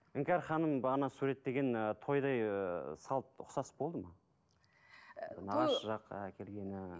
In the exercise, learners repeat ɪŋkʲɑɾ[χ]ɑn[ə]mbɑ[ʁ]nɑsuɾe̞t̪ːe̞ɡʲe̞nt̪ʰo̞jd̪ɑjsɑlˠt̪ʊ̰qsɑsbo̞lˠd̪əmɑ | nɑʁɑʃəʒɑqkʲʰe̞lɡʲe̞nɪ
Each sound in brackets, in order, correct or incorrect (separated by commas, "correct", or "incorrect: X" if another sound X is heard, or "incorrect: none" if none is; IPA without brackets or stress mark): correct, correct, correct